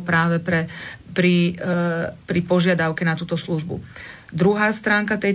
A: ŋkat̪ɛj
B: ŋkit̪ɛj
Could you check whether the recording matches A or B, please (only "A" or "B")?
A